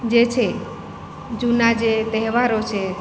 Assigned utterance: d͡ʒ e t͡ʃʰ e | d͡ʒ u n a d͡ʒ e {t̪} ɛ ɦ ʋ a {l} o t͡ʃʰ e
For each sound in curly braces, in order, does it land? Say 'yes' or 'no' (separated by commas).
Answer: yes, no